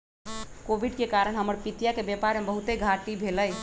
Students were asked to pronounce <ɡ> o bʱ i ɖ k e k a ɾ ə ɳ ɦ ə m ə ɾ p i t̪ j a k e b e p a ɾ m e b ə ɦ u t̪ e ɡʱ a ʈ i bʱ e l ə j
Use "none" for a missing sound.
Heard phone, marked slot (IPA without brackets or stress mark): k